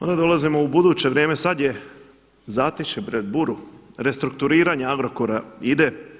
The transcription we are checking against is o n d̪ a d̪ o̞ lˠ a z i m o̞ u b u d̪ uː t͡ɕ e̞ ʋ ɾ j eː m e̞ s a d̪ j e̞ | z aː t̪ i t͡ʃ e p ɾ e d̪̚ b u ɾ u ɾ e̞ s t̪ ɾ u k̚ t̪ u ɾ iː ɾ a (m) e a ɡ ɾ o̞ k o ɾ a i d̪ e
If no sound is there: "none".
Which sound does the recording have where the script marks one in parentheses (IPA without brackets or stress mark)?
ɲ